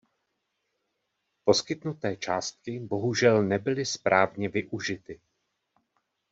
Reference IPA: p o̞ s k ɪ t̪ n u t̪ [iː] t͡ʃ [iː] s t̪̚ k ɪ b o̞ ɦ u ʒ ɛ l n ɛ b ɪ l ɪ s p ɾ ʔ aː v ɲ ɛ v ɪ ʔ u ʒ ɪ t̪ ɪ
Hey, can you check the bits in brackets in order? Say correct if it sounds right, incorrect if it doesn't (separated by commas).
incorrect, incorrect